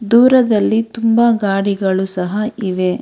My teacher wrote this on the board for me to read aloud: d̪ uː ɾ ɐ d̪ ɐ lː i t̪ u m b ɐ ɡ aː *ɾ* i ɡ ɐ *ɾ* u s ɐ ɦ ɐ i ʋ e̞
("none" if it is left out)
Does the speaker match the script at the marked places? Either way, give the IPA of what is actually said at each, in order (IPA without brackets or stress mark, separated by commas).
ɽ, ɭ